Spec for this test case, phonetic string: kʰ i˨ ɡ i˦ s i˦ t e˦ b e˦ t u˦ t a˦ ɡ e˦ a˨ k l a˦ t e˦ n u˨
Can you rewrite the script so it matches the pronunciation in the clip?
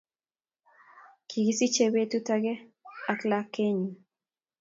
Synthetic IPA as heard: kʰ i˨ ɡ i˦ s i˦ t͡ʃ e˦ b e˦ t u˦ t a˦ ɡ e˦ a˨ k l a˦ k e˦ ɲ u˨